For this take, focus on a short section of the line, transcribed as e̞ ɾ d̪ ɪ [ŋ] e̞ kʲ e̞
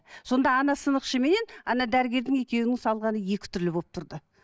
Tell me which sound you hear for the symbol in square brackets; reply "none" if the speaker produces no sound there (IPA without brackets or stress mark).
ŋ